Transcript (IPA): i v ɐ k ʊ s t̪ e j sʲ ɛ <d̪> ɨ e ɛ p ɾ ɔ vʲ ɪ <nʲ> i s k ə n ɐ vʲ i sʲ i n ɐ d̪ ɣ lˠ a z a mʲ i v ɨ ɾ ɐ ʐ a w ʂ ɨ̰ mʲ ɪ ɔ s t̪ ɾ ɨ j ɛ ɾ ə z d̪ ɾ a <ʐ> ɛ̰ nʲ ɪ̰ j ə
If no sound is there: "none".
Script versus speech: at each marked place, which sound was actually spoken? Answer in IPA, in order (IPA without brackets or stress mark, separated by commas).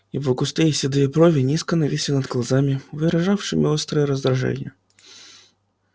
d̪, nʲ, ʐ